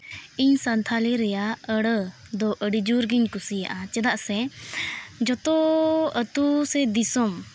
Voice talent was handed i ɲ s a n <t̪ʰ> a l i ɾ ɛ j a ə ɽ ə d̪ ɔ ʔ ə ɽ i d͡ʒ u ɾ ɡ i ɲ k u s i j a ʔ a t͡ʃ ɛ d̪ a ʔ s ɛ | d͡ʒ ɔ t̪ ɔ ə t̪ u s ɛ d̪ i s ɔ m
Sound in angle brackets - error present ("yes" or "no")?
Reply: no